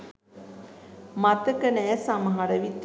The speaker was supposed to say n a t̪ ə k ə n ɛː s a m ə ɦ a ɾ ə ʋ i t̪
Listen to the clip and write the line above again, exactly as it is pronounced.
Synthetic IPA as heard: m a t̪ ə k ə n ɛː s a m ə ɦ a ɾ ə ʋ i t̪